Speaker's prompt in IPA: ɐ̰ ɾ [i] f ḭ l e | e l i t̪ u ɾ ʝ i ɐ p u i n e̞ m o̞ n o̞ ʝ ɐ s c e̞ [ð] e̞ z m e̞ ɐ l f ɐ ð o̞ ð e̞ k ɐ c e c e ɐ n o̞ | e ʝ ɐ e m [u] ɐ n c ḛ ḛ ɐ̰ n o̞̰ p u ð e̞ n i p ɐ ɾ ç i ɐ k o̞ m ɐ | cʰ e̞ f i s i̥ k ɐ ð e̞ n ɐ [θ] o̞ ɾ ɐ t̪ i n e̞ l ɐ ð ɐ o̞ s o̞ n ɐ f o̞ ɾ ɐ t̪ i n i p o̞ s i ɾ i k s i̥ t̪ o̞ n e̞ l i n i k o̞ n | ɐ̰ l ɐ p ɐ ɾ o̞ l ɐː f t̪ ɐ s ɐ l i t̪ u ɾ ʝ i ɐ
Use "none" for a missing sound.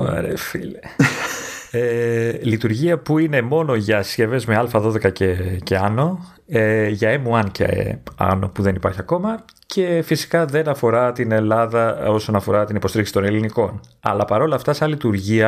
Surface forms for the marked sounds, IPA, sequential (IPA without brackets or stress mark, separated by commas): e, v, u, f